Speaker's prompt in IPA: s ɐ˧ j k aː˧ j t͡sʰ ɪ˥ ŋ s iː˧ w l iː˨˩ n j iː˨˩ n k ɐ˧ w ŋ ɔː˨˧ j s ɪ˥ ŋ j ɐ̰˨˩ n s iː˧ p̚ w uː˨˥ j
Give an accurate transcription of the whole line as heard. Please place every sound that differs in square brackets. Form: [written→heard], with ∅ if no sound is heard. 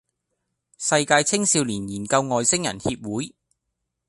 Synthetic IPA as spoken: s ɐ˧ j k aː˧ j t͡sʰ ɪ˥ ŋ s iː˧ w l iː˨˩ n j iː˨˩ n k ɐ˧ w ŋ ɔː˨˧ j s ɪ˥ ŋ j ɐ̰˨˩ n [s→h] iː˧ p̚ w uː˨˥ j

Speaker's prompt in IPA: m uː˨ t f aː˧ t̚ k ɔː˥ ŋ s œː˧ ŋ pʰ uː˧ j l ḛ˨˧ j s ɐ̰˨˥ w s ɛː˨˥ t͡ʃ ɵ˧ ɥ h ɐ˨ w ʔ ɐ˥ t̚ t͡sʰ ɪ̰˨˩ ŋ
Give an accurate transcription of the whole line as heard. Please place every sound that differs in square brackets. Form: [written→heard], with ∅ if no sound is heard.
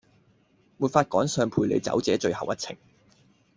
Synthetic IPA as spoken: m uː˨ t f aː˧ t̚ k [ɔː˥→ɔː˨˥] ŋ s œː˧ ŋ pʰ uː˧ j l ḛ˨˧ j [s→t͡s] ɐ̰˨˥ w [s→t͡s] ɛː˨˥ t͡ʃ ɵ˧ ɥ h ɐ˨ w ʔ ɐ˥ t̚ t͡sʰ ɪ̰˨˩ ŋ

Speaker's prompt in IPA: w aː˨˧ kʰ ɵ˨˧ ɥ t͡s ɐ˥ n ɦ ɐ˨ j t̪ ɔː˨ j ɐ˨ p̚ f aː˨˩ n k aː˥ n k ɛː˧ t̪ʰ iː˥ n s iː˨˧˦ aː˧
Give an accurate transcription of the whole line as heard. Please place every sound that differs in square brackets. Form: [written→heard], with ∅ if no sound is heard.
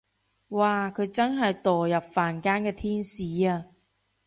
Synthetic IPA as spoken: w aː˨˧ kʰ ɵ˨˧ ɥ t͡s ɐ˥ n ɦ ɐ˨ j t̪ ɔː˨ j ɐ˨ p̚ f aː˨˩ n k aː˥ n k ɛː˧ t̪ʰ iː˥ n s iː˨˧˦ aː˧

